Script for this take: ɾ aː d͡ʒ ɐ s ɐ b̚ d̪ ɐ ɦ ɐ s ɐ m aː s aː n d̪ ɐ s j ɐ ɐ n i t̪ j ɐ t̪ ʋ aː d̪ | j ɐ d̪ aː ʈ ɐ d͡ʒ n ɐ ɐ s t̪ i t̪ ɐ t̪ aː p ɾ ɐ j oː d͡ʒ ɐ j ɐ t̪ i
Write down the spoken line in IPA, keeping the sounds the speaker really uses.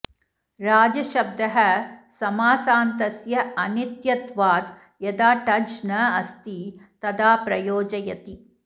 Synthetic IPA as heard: ɾ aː d͡ʒ ɐ ʃ ɐ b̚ d̪ ɐ ɦ ɐ s ɐ m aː s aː n t̪ ɐ s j ɐ ɐ n i t̪ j ɐ t̪ ʋ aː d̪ | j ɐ d̪ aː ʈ ɐ d͡ʒ n ɐ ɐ s t̪ i t̪ ɐ d̪ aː p ɾ ɐ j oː d͡ʒ ɐ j ɐ t̪ i